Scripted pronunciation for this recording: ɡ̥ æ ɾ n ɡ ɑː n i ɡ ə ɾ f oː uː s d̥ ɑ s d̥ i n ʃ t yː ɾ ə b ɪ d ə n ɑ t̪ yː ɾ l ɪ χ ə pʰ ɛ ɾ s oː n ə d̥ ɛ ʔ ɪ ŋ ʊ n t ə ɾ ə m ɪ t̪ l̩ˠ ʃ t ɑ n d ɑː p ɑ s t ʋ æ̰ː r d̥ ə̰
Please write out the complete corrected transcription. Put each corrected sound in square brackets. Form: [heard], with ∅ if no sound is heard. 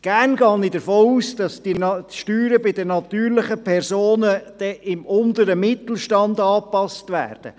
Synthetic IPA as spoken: ɡ̥ æ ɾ n ɡ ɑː n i [d] ə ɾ f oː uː s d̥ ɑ s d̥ i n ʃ t yː ɾ ə b ɪ d ə n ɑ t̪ yː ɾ l ɪ χ ə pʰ ɛ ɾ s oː n ə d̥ ɛ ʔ ɪ [m] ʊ n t ə ɾ ə m ɪ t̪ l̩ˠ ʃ t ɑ n d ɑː p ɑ s t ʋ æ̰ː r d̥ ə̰